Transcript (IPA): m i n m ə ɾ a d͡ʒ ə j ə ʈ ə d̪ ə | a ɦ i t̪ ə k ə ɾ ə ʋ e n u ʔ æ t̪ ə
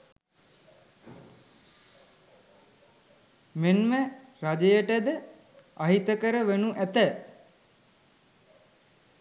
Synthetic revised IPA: m e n m ə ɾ a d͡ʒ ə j ə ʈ ə d̪ ə | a ɦ i t̪ ə k ə ɾ ə ʋ e n u ʔ æ t̪ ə